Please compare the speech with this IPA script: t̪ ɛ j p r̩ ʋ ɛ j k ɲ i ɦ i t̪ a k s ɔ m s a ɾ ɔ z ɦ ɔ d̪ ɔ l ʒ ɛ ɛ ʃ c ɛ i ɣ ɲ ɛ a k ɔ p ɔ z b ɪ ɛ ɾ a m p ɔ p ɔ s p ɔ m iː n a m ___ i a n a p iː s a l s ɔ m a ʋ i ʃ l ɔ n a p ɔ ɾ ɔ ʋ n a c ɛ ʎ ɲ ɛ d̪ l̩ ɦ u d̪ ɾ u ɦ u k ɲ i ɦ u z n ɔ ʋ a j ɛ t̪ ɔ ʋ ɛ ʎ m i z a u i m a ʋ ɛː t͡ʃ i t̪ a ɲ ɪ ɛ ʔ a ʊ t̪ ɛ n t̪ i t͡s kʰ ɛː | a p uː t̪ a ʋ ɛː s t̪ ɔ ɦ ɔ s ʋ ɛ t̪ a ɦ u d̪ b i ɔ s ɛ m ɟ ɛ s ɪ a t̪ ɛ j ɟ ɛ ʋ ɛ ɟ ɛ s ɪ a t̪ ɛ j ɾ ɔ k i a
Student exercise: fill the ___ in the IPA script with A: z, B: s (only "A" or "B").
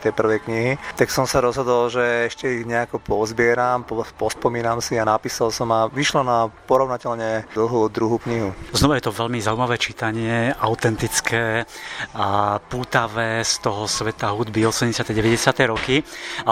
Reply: B